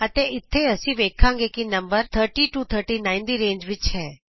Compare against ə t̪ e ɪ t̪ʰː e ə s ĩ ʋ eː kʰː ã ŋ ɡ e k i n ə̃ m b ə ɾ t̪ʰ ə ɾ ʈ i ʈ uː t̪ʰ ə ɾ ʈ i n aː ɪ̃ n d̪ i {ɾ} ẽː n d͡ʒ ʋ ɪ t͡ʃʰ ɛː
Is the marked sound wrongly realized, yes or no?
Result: no